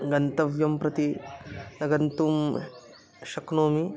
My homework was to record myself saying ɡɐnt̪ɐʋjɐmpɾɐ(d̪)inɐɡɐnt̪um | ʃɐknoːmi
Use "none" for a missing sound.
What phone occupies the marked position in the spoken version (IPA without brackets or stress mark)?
t̪